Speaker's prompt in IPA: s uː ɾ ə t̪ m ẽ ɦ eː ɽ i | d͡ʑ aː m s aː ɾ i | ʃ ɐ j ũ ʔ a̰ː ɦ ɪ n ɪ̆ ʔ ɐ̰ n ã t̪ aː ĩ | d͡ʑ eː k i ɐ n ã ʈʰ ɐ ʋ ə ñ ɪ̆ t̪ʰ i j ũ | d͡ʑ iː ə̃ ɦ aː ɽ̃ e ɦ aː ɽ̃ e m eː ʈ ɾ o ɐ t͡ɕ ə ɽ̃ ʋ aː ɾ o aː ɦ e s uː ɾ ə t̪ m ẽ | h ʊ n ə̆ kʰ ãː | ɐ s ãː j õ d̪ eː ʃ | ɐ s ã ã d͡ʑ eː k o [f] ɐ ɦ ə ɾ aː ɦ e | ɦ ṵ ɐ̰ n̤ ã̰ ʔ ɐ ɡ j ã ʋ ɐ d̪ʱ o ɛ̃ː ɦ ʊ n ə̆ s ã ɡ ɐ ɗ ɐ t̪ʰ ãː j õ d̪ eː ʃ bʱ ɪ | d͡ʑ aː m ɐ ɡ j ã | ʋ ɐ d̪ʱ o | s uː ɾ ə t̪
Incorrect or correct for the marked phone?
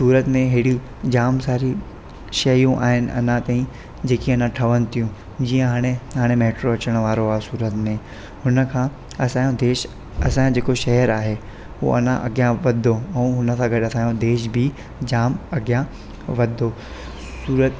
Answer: incorrect: ʃ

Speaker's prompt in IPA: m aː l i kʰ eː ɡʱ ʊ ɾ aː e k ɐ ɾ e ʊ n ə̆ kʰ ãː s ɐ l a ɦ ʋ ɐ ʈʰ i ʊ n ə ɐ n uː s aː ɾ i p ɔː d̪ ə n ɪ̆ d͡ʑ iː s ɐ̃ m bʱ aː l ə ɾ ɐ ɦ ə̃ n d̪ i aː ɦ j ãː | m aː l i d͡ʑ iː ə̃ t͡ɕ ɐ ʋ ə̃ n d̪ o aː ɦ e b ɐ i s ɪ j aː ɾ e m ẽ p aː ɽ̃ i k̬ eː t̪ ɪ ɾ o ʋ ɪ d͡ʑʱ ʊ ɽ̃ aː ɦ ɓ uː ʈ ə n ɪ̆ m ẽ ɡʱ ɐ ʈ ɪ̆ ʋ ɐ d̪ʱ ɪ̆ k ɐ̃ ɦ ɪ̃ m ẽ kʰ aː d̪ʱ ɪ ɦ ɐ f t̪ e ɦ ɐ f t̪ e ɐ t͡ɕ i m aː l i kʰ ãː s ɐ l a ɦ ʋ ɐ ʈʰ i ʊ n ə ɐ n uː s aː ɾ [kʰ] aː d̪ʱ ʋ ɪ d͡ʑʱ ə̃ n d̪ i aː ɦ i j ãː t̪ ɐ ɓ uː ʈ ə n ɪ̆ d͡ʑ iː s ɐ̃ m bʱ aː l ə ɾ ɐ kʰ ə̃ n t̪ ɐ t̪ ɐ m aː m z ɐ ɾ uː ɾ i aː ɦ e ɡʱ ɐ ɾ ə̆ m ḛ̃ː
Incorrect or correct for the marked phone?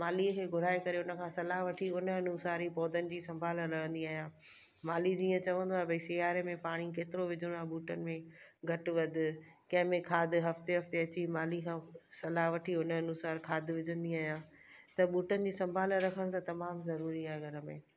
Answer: correct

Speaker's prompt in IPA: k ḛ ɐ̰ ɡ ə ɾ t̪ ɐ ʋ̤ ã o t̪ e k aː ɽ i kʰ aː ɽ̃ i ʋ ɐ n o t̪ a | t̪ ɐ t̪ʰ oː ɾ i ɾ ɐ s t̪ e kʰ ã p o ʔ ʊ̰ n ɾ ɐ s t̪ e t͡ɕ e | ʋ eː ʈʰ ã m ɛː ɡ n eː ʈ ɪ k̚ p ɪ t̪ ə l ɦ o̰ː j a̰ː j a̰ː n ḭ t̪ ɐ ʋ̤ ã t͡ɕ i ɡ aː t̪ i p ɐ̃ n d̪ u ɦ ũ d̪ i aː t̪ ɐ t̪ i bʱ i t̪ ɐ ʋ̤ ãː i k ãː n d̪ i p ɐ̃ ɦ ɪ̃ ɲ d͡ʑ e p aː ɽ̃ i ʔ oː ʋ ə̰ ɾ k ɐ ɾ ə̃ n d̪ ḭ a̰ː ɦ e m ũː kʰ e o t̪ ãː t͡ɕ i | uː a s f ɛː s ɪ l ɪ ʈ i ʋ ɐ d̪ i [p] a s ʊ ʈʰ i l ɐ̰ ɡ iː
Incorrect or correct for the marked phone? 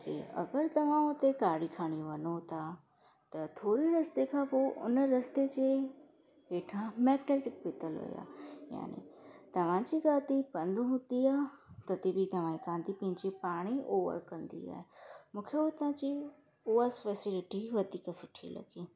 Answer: incorrect: k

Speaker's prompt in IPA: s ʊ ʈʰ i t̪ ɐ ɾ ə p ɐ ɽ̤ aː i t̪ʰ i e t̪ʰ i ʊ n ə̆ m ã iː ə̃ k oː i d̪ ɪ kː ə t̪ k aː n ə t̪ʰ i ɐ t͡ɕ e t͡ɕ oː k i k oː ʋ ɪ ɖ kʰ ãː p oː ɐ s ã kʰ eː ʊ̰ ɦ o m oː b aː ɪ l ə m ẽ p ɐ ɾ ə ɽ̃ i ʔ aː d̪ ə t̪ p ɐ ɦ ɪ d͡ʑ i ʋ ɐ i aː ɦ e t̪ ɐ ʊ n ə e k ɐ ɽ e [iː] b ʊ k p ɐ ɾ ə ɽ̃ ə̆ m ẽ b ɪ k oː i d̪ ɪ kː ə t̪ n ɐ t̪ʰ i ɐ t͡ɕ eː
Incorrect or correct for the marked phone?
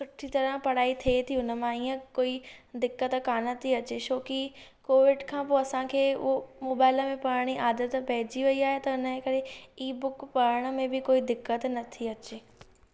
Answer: correct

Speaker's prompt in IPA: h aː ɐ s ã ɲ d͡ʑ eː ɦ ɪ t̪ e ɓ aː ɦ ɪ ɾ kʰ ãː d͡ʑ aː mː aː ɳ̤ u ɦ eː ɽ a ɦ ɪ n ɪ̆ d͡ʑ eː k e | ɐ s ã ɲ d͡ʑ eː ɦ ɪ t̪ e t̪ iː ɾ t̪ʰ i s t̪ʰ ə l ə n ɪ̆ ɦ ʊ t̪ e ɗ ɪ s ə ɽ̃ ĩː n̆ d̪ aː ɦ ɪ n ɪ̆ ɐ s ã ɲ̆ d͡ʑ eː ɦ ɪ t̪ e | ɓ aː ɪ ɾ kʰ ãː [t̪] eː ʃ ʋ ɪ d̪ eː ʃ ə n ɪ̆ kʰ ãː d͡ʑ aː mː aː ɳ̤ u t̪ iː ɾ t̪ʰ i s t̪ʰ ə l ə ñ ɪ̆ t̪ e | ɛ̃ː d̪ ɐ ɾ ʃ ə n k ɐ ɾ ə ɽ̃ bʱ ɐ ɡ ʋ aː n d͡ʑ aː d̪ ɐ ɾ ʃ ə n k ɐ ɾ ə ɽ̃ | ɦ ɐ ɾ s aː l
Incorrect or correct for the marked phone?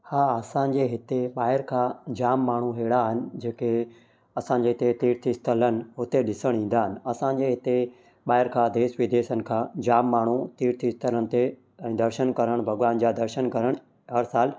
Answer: incorrect: d̪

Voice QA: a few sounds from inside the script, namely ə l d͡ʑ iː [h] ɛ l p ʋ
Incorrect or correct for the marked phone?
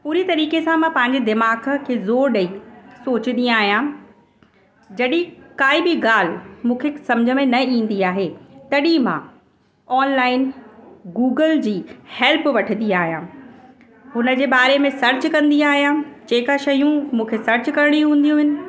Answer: correct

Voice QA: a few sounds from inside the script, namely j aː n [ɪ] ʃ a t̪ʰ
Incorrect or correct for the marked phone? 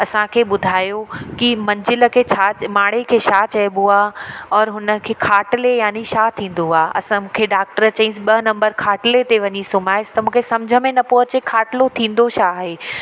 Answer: incorrect: i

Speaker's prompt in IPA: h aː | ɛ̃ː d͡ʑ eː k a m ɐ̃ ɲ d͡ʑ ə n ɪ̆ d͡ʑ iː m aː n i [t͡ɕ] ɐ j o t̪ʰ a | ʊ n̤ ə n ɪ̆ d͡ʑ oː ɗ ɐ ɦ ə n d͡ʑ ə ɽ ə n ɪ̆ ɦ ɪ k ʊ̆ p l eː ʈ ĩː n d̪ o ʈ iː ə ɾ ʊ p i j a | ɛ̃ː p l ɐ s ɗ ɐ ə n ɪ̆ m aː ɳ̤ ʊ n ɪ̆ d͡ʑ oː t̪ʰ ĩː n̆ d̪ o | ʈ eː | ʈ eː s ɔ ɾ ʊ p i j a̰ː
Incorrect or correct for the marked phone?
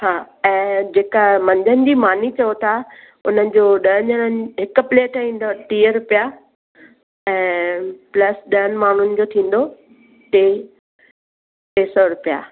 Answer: correct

